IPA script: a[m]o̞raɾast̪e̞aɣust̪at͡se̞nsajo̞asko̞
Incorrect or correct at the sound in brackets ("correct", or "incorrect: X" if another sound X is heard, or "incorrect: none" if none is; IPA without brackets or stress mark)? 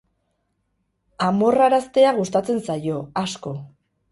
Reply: correct